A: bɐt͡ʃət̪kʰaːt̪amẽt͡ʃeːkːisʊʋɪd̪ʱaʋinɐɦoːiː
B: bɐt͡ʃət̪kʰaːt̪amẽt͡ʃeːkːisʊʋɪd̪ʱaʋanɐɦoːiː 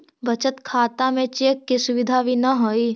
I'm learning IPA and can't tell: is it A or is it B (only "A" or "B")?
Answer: A